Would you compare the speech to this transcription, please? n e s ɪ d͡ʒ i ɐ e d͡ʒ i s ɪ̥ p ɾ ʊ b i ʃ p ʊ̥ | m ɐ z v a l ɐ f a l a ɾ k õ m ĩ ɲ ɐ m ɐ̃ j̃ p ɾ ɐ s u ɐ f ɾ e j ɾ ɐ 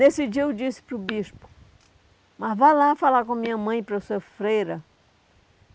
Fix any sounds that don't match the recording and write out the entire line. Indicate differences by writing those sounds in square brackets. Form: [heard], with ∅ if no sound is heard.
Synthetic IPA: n e s ɪ d͡ʒ i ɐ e d͡ʒ i s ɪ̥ p ɾ ʊ b i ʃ p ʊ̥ | m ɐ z v a l [a] f a l a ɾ k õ m ĩ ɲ ɐ m ɐ̃ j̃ p ɾ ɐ s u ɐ f ɾ e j ɾ ɐ

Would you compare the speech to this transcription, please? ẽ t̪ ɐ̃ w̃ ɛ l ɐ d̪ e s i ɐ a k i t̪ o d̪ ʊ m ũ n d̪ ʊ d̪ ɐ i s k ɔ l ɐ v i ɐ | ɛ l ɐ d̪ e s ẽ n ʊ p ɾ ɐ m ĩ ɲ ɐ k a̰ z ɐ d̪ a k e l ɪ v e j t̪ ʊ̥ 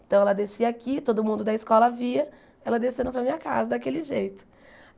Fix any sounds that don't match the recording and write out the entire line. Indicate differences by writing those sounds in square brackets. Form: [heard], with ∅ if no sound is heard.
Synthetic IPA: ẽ t̪ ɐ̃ w̃ ɛ l ɐ d̪ e s i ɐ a k i t̪ o d̪ ʊ m ũ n d̪ ʊ d̪ ɐ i s k ɔ l ɐ v i ɐ | ɛ l ɐ d̪ e s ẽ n ʊ p ɾ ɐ m ĩ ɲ ɐ k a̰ z ɐ d̪ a k e l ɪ [ʒ] e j t̪ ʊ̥

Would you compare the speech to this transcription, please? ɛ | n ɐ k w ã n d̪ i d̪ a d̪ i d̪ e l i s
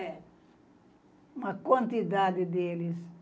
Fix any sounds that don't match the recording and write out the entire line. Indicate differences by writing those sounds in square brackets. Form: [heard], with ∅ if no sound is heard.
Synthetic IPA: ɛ | [m] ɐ k w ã n [t̪] i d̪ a d̪ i d̪ e l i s

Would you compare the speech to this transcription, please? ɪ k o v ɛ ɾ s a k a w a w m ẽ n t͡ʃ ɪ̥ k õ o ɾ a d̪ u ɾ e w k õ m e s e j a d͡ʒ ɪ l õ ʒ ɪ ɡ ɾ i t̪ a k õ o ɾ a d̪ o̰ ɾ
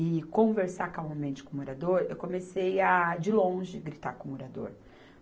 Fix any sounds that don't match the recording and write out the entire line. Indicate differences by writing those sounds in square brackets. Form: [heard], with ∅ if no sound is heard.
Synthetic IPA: ɪ k [õ] v [e] ɾ s a k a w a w m ẽ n t͡ʃ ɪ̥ k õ o ɾ a d̪ [o] ɾ e w k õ m e s e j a d͡ʒ ɪ l õ ʒ ɪ ɡ ɾ i t̪ a k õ o ɾ a d̪ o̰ ɾ

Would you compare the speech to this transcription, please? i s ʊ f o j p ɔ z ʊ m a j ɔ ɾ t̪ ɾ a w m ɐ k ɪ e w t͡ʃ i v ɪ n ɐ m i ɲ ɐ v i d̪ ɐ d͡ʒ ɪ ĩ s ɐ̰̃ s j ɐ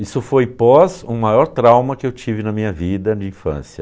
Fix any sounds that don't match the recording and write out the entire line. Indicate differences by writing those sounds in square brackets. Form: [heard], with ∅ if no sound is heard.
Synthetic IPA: i s ʊ f o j p ɔ z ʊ m a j ɔ ɾ t̪ ɾ a w m ɐ k ɪ e w t͡ʃ i v ɪ n ɐ m [ĩ] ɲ ɐ v i d̪ ɐ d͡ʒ ɪ ĩ [f] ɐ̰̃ s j ɐ

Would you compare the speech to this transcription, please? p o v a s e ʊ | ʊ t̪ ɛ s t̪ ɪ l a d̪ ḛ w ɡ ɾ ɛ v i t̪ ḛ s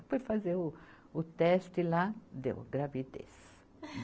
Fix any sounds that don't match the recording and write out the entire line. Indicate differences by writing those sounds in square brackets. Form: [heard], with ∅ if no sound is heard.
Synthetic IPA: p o [f] a [z] e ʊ | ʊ t̪ ɛ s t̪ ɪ l a d̪ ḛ w ɡ ɾ [a] v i [d̪] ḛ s

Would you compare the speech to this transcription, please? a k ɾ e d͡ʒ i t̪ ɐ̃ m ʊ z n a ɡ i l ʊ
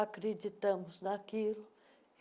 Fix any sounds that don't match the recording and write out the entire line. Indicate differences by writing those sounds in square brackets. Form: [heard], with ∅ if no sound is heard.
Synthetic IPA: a k ɾ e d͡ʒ i t̪ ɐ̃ m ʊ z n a [k] i l ʊ

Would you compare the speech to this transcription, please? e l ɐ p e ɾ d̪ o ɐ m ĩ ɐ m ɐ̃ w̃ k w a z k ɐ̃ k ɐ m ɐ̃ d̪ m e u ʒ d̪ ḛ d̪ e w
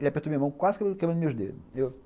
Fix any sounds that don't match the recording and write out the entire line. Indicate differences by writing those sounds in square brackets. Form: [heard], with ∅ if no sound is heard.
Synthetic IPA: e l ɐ p e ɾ [t̪] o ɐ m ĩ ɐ m ɐ̃ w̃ k w a z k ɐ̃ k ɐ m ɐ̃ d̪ m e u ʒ d̪ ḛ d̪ e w

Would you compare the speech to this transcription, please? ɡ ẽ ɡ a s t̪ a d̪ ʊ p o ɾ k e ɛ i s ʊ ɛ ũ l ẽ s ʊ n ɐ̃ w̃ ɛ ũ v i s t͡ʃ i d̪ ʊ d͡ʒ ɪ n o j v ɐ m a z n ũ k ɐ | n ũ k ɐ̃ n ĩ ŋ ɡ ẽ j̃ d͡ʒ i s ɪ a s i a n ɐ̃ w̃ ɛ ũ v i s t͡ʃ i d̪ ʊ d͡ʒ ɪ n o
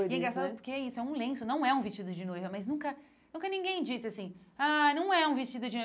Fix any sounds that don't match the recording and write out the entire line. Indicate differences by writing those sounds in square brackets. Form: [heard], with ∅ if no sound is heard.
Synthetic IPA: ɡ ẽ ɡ a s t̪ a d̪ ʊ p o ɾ k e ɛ i s ʊ ɛ ũ l ẽ s ʊ n ɐ̃ w̃ ɛ ũ v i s t͡ʃ i d̪ ʊ d͡ʒ ɪ n o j v ɐ m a z n ũ k ɐ | n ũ k [ɐ] n ĩ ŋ ɡ ẽ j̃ d͡ʒ i s ɪ a s [ĩ] a n ɐ̃ w̃ ɛ ũ v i s t͡ʃ i d̪ ʊ d͡ʒ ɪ n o

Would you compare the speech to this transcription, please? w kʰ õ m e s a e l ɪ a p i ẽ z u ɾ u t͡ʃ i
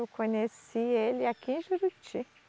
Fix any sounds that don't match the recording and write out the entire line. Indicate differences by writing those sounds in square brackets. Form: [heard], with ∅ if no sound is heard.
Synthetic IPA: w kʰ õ [ɲ] e s [i] e l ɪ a [k] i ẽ [ʒ] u ɾ u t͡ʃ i

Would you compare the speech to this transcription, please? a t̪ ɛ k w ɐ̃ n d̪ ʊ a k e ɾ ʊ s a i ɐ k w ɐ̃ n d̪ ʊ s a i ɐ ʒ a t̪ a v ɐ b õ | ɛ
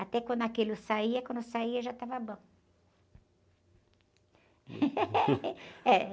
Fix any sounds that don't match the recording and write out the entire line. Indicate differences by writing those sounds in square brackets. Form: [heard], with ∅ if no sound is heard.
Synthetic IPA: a t̪ ɛ k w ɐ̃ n d̪ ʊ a k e [l] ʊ s a i ɐ k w ɐ̃ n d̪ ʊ s a i ɐ ʒ a t̪ a v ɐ b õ | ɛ

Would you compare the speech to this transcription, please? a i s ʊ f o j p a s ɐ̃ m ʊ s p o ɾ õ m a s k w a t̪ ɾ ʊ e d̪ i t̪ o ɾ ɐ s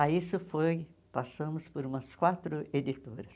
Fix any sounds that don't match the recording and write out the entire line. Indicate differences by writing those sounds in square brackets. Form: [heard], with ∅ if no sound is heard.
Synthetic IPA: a i s ʊ f o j p a s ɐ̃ m ʊ s p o ɾ [ũ] m [ɐ] s k w a t̪ ɾ ʊ e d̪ i t̪ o ɾ ɐ s

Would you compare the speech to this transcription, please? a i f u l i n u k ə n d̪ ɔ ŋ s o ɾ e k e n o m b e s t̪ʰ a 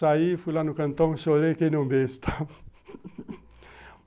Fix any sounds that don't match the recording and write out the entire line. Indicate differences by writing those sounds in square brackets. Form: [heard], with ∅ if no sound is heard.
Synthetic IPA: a i f u l [a] n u k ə n [t̪] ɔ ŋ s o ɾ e k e n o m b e s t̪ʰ a

